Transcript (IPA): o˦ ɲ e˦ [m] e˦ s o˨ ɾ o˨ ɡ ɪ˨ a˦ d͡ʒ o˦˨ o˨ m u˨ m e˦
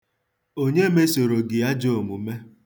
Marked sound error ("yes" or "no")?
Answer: no